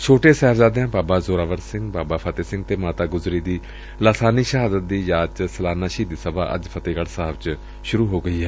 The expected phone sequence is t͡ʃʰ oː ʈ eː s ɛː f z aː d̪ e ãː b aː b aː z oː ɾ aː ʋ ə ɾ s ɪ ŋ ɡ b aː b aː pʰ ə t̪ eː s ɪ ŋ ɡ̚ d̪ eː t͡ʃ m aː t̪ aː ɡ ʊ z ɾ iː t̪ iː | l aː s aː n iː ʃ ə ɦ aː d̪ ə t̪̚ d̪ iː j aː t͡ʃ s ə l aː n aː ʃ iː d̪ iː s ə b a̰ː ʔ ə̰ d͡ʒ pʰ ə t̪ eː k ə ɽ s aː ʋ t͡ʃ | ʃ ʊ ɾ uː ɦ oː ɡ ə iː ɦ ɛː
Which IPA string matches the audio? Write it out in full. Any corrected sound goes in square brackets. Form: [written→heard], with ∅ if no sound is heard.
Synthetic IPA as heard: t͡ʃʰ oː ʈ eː s ɛː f z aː d̪ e ãː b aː b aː z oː ɾ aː ʋ ə ɾ s ɪ ŋ ɡ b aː b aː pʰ ə t̪ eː s ɪ ŋ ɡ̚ [d̪→t̪] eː [t͡ʃ→∅] m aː t̪ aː ɡ ʊ z ɾ iː [t̪→d̪] iː | l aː s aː n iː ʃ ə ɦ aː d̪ ə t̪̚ d̪ iː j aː t͡ʃ s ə l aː n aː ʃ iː d̪ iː s ə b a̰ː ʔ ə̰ d͡ʒ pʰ ə t̪ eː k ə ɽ s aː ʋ t͡ʃ | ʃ ʊ ɾ uː ɦ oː ɡ ə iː ɦ ɛː